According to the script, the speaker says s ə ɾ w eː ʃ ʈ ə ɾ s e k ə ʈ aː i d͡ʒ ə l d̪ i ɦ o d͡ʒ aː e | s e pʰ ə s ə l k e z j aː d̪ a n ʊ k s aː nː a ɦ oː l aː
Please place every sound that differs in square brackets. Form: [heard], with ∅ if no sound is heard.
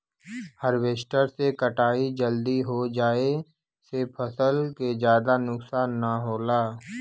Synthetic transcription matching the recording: [h] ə ɾ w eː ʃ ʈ ə ɾ s e k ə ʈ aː i d͡ʒ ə l d̪ i ɦ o d͡ʒ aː e | s e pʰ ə s ə l k e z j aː d̪ a n ʊ k s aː nː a ɦ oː l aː